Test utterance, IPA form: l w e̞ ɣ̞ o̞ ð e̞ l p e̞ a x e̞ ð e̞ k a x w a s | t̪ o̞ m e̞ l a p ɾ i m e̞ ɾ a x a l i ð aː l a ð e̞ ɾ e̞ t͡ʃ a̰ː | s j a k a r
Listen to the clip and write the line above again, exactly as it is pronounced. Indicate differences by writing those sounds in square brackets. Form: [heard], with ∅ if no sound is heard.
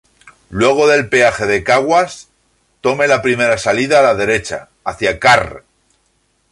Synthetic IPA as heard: l w e̞ ɣ̞ o̞ ð e̞ l p e̞ a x e̞ ð e̞ k a [ɣ] w a s | t̪ o̞ m e̞ l a p ɾ i m e̞ ɾ a [s] a l i ð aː l a ð e̞ ɾ e̞ t͡ʃ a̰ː | [θ] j a k a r